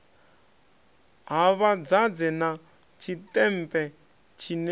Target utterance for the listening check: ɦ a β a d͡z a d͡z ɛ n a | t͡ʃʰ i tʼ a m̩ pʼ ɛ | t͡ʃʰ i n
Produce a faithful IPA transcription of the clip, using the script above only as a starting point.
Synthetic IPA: ɦ a β a d͡z a d͡z ɛ n a | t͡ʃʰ i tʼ ɛ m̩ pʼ ɛ | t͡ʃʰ i n